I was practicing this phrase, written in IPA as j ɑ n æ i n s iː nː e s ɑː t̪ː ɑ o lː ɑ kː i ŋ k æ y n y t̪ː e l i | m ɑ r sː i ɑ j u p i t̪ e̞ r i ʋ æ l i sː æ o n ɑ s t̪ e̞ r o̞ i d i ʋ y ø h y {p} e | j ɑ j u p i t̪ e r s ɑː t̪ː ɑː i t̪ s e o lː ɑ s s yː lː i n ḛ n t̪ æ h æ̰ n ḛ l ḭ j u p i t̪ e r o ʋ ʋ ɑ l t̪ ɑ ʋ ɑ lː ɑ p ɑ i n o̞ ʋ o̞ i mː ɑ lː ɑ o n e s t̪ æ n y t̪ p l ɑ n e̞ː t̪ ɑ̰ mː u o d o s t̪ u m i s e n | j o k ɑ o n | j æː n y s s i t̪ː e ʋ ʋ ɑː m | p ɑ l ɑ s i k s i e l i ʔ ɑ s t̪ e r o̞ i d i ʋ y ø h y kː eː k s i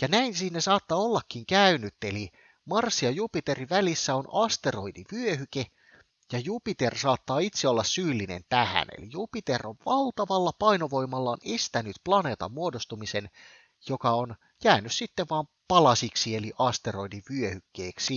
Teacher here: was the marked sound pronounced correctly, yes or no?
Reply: no